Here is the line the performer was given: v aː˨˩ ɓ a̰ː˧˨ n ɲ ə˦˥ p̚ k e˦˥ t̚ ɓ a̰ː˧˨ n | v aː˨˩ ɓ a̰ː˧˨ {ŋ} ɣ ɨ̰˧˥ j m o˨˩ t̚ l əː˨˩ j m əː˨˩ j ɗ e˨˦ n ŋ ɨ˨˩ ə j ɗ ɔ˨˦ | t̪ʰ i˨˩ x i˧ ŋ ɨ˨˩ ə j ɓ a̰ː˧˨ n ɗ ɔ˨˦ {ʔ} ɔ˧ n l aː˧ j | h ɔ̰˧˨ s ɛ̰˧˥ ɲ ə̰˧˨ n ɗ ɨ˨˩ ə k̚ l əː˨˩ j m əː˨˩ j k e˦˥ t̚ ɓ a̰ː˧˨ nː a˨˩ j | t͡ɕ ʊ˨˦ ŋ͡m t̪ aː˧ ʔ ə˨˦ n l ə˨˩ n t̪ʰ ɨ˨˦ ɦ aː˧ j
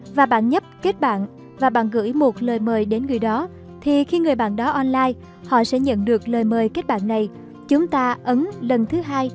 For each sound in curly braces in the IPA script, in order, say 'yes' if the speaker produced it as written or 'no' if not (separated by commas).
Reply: no, yes